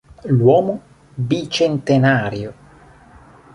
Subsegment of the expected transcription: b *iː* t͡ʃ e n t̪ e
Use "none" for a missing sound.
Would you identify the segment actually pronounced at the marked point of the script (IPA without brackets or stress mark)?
i